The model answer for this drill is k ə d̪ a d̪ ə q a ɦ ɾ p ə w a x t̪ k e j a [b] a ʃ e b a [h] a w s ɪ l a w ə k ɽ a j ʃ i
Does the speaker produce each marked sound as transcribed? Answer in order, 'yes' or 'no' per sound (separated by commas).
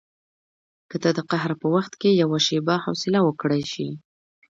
no, yes